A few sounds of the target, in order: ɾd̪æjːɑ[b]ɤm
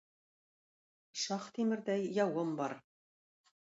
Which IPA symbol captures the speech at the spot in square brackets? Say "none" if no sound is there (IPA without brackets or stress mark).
w